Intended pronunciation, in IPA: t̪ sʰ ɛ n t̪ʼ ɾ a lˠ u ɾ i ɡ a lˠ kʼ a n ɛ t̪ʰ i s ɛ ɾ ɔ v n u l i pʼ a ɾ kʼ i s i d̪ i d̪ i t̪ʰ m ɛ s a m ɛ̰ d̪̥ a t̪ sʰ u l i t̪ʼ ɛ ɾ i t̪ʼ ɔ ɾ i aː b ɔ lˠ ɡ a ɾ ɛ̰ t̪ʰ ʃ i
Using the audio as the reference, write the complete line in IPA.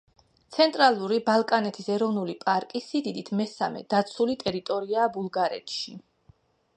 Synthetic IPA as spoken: t̪ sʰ ɛ n t̪ʼ ɾ a lˠ u ɾ i b a lˠ kʼ a n ɛ t̪ʰ i s ɛ ɾ ɔ v n u l i pʼ a ɾ kʼ i s i d̪ i d̪ i t̪ʰ m ɛ s a m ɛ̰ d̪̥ a t̪ sʰ u l i t̪ʼ ɛ ɾ i t̪ʼ ɔ ɾ i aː b u lˠ ɡ a ɾ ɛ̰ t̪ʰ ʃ i